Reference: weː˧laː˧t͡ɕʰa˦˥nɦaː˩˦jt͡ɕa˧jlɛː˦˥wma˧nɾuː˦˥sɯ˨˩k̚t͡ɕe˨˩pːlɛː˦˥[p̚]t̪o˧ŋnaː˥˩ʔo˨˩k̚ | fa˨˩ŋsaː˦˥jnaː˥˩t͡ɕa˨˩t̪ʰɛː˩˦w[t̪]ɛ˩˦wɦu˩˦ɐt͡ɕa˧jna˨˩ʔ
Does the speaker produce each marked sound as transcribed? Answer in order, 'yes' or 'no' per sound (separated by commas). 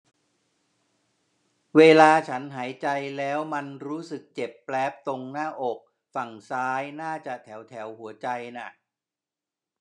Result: yes, no